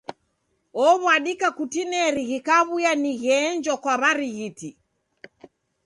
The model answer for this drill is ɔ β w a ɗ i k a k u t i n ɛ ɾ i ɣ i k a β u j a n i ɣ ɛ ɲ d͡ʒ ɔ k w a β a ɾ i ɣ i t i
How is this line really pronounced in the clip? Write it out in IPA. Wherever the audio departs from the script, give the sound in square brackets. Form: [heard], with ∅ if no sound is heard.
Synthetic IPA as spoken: ɔ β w a ɗ i k a k u t i n ɛ ɾ i ɣ i k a β u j a n i ɣ ɛ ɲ d͡ʒ ɔ k w a β a ɾ i ɣ i t i